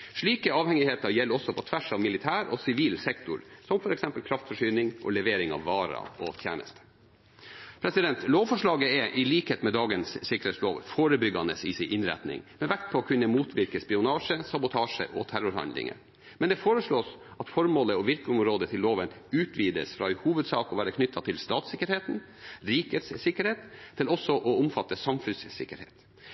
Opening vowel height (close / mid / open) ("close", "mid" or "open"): close